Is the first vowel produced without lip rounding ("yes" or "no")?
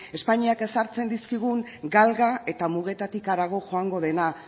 yes